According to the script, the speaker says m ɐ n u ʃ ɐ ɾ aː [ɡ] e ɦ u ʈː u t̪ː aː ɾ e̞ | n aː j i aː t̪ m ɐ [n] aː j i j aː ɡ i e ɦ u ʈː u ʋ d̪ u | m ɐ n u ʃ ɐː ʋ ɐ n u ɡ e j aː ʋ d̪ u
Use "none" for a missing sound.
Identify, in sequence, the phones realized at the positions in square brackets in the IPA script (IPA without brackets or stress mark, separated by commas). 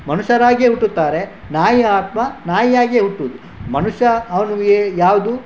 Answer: ɡ, n